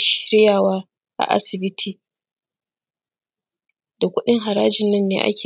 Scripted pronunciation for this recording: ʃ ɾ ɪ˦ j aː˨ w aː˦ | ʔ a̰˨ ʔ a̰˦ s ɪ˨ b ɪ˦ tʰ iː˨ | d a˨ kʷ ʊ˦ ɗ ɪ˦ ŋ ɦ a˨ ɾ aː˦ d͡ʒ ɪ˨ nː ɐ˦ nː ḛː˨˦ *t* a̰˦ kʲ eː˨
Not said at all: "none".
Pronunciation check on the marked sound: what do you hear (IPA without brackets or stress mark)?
ʔ